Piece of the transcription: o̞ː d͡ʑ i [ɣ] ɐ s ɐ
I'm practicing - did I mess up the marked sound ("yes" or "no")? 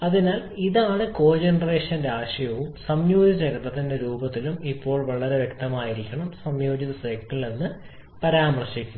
yes